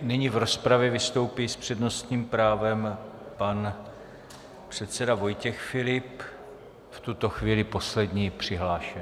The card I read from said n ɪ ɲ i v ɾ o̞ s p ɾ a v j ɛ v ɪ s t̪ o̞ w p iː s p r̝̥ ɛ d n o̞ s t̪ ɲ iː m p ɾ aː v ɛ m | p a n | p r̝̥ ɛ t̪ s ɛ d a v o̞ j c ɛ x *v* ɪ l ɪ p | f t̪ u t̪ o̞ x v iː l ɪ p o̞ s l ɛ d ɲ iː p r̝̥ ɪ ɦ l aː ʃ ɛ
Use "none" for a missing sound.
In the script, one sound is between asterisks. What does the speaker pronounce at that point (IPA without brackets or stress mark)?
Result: f